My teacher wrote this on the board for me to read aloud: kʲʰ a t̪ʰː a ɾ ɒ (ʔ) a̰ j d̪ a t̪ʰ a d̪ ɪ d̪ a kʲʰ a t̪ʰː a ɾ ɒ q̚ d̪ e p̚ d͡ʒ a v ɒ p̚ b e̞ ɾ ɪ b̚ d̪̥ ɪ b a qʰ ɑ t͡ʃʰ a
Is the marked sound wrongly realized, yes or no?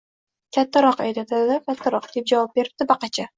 yes